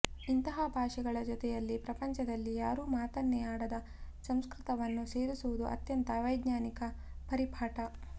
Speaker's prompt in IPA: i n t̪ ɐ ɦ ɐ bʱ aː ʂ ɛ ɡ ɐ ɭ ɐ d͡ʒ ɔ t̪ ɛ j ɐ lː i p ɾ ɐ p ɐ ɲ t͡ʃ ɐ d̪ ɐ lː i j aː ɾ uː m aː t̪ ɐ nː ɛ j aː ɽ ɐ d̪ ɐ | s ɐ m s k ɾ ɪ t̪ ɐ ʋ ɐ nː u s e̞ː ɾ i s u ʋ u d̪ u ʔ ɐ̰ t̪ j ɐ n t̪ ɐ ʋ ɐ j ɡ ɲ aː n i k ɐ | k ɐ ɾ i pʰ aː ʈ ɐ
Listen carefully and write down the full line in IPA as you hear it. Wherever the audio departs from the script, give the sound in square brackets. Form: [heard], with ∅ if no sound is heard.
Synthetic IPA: i n t̪ ɐ ɦ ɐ bʱ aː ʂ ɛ ɡ ɐ ɭ ɐ d͡ʒ ɔ t̪ ɛ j ɐ lː i p ɾ ɐ p ɐ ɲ t͡ʃ ɐ d̪ ɐ lː i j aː ɾ uː m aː t̪ ɐ nː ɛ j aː ɽ ɐ d̪ ɐ | s ɐ m s k ɾ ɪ t̪ ɐ ʋ ɐ nː u s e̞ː ɾ i s u ʋ u d̪ u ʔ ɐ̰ t̪ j ɐ n t̪ ɐ ʋ ɐ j ɡ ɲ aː n i k ɐ | [p] ɐ ɾ i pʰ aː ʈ ɐ